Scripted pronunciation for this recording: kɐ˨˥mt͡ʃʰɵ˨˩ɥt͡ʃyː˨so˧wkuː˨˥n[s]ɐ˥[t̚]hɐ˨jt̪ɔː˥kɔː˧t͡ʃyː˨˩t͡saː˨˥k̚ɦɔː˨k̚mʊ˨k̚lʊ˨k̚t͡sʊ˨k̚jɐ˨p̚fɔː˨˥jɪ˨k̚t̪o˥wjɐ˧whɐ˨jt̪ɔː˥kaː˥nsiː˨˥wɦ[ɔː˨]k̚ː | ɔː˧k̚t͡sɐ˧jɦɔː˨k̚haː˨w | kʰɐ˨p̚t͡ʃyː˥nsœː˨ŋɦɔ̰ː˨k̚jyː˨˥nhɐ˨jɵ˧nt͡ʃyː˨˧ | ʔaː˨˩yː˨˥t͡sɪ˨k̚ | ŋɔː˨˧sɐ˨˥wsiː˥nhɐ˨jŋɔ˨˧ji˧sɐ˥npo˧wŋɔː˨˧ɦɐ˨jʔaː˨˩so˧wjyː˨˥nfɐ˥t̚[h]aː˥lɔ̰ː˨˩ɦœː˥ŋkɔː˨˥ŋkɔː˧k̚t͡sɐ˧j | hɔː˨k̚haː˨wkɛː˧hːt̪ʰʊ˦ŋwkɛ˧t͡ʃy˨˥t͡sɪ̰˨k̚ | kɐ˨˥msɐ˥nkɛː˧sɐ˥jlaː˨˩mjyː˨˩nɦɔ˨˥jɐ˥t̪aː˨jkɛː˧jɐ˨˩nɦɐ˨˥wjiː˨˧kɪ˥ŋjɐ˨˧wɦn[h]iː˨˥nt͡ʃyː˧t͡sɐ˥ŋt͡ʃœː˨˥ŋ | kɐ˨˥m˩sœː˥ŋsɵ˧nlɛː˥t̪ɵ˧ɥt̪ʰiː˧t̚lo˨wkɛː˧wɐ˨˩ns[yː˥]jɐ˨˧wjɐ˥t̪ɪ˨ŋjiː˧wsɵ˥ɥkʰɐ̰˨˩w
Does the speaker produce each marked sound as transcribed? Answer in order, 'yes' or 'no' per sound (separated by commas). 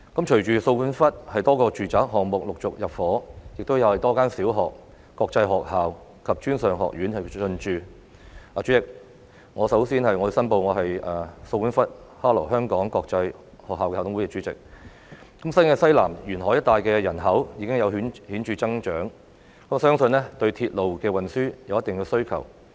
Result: no, yes, yes, yes, yes, yes